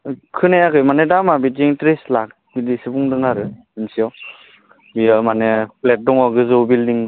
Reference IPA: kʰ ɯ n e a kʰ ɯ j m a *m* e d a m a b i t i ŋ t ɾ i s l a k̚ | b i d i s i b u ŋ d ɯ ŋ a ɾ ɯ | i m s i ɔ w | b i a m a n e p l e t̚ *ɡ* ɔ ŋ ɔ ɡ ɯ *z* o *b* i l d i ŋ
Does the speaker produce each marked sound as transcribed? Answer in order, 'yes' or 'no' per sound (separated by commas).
no, no, yes, yes